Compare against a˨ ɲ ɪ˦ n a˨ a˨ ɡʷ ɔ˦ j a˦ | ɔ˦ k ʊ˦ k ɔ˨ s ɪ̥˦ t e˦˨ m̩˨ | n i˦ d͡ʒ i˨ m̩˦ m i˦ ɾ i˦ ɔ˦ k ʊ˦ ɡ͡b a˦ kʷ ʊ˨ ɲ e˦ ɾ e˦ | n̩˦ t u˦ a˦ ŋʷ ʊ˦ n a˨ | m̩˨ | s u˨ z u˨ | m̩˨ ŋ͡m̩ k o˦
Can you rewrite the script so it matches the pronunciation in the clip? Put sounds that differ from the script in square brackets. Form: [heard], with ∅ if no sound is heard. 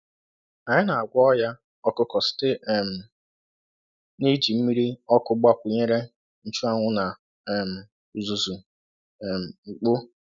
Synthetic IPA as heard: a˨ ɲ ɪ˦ n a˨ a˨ ɡʷ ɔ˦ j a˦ | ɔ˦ k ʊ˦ k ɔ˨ s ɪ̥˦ t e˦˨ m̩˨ | n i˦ d͡ʒ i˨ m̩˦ m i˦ ɾ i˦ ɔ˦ k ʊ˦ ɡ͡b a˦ kʷ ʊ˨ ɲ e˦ ɾ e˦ | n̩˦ [t͡ʃ] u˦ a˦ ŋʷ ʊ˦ n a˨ | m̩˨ | [z] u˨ z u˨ | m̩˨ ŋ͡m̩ [k͡p] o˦